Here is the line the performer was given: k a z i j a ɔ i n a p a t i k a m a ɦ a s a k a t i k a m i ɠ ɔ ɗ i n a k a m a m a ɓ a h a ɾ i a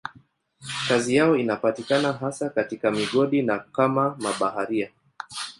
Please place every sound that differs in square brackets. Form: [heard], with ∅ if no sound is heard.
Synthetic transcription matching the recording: k a z i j a ɔ i n a p a t i k a [n] a ɦ a s a k a t i k a m i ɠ ɔ ɗ i n a k a m a m a ɓ a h a ɾ i a